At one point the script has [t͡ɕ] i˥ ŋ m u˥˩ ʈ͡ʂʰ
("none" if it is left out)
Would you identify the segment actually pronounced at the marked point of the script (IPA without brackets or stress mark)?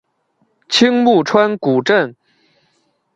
t͡ɕʰ